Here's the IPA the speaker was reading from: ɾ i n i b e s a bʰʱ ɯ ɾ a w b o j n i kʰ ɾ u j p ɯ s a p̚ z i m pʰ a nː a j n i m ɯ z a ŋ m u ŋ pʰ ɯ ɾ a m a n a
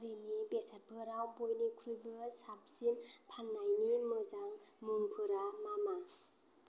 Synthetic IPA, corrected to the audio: ɾ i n i b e s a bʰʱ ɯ ɾ a w b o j n i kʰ ɾ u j b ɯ s a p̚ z i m pʰ a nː a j n i m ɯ z a ŋ m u ŋ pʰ ɯ ɾ a m a m a